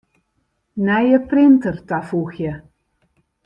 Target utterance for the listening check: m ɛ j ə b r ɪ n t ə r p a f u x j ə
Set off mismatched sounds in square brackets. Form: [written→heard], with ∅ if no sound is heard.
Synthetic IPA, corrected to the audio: [m→n] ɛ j ə [b→p] r ɪ n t ə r [p→t] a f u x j ə

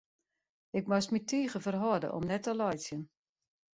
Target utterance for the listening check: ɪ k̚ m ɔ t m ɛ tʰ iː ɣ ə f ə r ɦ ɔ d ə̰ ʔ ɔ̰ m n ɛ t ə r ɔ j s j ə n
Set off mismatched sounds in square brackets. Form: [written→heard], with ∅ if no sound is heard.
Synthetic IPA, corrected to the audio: ɪ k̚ m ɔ [t→s] m [ɛ→i] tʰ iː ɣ ə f ə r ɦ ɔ d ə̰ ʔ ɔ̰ m n ɛ t ə [r→l] ɔ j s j ə n

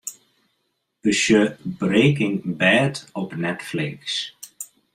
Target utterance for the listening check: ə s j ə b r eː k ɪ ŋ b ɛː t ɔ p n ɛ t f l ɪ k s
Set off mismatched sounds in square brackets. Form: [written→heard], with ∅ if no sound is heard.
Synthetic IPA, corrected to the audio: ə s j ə b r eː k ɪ ŋ b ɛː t ɔ p n ɛ t f l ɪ k s

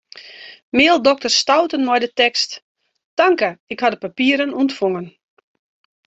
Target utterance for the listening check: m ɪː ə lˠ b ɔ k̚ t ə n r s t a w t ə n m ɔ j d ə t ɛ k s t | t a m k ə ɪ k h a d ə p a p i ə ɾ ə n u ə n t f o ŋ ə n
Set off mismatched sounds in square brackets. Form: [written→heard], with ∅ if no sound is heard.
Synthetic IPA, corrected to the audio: m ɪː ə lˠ [b→d] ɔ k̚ t ə [n→∅] r s t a w t ə n m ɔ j d ə t ɛ k s t | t a [m→ŋ] k ə ɪ k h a d ə p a p i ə ɾ ə n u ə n t f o ŋ ə n

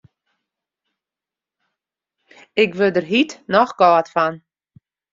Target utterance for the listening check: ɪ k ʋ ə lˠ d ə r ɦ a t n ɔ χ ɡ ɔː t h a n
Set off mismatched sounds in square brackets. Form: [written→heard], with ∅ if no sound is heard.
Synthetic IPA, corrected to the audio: ɪ k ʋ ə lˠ d ə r ɦ [a→i] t n ɔ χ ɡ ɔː t [h→f] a n

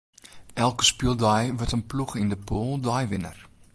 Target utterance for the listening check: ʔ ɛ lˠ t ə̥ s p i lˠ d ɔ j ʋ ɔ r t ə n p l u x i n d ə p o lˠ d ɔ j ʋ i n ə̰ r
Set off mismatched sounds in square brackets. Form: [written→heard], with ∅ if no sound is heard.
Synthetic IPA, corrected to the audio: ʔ ɛ lˠ [t→k] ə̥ s p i lˠ d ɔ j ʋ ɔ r t ə n p l u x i n d ə p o lˠ d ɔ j ʋ [i→ɪ] n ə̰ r

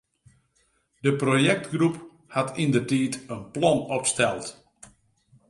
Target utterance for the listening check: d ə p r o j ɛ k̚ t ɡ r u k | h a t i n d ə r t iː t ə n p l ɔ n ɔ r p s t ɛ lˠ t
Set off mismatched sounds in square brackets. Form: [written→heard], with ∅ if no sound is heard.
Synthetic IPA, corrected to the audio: d ə p r o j ɛ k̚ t ɡ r u [k→p] | h a t i n d ə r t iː t ə n p l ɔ n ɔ [r→∅] p s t ɛ lˠ t

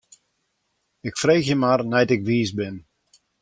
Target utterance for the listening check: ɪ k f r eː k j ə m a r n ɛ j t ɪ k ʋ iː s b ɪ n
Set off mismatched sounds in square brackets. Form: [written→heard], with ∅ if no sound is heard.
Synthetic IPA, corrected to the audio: ɪ k f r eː [k→x] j ə m a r n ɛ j t ɪ k ʋ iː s b ɪ n

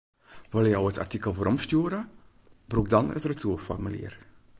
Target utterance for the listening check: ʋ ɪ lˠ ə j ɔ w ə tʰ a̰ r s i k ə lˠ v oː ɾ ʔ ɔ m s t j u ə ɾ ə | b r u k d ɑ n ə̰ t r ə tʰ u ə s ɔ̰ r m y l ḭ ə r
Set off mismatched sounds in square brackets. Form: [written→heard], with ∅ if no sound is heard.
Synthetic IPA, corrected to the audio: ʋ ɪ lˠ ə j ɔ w ə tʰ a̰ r [s→t] i k ə lˠ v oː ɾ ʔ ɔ m s t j u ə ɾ ə | b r u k d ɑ n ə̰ t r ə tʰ u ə [s→f] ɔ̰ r m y l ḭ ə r

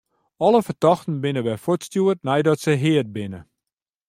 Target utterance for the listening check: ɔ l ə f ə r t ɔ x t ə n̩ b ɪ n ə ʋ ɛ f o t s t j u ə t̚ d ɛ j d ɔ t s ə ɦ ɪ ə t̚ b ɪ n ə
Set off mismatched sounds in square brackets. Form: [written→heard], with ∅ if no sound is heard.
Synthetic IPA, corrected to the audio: ɔ l ə f ə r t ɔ x t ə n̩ b ɪ n ə ʋ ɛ f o t s t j u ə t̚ [d→n] ɛ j d ɔ t s ə ɦ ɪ ə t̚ b ɪ n ə

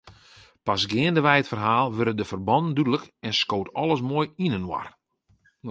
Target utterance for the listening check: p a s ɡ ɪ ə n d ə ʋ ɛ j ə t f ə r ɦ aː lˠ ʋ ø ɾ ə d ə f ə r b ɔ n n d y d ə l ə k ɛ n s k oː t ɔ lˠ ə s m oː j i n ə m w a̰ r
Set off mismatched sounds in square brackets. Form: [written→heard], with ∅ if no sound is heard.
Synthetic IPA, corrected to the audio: p a s ɡ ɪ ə n d ə ʋ ɛ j ə t f ə r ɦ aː lˠ ʋ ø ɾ ə d ə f ə r b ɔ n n d y d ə l ə k ɛ n s k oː t ɔ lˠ ə s m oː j i n ə [m→n] w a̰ r

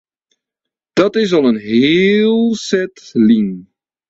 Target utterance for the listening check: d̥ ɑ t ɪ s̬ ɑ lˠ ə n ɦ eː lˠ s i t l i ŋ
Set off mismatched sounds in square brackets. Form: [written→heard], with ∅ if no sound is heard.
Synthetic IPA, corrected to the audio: d̥ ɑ t ɪ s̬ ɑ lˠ ə n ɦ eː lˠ s [i→ɛ] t l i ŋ

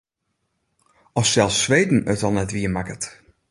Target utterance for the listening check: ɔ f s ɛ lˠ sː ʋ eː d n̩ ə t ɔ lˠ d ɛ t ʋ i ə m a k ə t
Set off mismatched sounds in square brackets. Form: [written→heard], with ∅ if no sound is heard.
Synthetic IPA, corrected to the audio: ɔ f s ɛ lˠ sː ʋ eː d n̩ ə t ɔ lˠ [d→n] ɛ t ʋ i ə m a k ə t

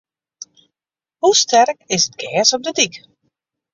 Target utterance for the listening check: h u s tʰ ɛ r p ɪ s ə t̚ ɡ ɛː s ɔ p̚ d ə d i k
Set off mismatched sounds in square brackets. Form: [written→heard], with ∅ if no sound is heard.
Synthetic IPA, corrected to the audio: h u s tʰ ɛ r [p→k] ɪ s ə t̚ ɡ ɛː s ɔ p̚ d ə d i k

